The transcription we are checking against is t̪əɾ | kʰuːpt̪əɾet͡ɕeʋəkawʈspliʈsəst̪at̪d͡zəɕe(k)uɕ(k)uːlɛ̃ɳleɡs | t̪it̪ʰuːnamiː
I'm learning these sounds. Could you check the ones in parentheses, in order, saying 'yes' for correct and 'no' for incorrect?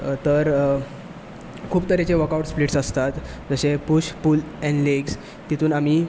no, no

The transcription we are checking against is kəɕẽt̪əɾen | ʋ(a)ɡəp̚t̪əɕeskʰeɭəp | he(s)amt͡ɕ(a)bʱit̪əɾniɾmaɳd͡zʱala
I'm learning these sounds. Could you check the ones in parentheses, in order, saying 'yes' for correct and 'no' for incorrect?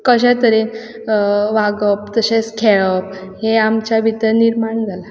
yes, no, yes

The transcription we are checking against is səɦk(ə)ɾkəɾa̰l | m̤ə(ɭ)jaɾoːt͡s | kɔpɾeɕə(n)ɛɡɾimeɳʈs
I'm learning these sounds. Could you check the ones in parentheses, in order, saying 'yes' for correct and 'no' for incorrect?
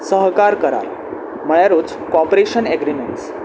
no, yes, yes

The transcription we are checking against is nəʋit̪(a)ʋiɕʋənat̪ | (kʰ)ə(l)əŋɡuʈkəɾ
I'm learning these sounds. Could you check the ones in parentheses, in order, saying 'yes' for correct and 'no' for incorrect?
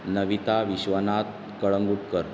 yes, no, no

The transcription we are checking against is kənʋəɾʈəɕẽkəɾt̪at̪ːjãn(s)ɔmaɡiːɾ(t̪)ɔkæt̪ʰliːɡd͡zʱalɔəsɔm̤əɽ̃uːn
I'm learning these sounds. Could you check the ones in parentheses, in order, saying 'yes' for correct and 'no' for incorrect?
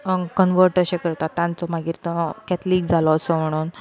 no, yes

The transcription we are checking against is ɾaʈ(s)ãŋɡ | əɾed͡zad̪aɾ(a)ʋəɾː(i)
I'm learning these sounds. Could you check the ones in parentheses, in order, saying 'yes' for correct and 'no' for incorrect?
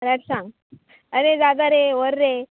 yes, no, no

